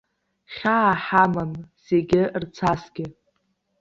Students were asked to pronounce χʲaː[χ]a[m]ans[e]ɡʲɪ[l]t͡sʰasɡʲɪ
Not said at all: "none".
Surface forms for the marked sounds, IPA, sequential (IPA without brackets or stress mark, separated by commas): ħ, m, e, r